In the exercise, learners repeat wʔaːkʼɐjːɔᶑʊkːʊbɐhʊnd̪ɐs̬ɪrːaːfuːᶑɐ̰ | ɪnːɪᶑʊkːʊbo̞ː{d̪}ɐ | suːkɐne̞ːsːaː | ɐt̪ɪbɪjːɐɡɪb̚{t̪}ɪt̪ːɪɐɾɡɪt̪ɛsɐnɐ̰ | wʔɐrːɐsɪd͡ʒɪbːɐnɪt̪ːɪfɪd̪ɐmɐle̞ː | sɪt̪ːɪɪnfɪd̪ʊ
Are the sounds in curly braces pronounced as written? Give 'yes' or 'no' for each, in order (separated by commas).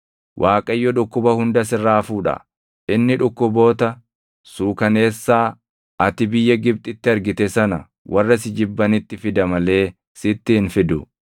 no, no